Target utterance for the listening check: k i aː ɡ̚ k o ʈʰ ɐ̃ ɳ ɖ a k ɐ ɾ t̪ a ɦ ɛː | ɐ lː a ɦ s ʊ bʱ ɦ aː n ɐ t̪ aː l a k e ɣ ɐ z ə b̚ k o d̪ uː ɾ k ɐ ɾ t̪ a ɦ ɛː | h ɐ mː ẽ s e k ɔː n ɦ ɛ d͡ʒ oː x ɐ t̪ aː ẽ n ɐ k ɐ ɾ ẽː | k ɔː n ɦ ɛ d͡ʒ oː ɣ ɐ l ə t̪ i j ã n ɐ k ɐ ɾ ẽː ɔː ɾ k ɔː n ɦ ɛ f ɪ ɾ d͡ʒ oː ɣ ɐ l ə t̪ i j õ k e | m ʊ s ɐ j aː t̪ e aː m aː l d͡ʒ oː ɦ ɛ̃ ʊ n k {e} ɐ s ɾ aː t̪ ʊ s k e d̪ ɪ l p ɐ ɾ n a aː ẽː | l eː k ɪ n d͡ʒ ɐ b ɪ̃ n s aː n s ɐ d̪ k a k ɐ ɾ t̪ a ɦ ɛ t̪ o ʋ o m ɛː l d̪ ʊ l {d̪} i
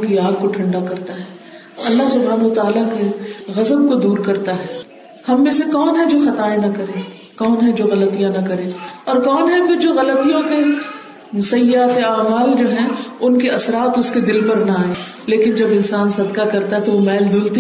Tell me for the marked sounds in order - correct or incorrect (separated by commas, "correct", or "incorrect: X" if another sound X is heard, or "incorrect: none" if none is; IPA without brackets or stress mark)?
correct, incorrect: t̪